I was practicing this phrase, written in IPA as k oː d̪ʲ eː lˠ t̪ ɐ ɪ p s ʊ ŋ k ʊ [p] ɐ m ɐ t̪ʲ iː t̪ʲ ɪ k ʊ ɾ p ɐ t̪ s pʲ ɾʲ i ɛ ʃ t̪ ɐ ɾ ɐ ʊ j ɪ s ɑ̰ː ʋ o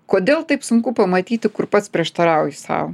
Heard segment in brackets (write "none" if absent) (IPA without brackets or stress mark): p